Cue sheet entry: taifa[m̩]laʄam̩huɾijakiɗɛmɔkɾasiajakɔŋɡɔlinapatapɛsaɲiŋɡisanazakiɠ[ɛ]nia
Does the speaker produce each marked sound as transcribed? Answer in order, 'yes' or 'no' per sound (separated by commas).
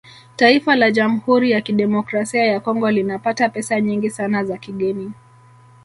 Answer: no, yes